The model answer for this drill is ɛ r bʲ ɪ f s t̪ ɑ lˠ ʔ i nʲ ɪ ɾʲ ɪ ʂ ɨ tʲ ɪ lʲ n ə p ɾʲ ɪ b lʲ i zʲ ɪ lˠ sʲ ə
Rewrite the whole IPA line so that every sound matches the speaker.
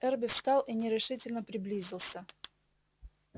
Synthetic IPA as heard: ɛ r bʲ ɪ f s t̪ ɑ lˠ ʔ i nʲ ɪ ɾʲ ɪ ʂ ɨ tʲ ɪ lʲ n ə p ɾʲ ɪ b lʲ i zʲ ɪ lˠ sʲ ə